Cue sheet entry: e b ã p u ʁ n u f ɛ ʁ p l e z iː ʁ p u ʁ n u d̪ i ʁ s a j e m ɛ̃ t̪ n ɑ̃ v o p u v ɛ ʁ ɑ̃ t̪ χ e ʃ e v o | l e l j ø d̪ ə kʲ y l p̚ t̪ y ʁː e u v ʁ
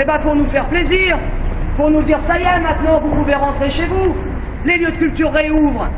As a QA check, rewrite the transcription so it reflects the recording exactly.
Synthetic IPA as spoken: e b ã p u ʁ n u f ɛ ʁ p l e z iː ʁ p u ʁ n u d̪ i ʁ s a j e m ɛ̃ t̪ n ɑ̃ v u p u v e ʁ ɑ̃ t̪ χ e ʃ e v u | l e l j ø d̪ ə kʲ y l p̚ t̪ y ʁː e u v ʁ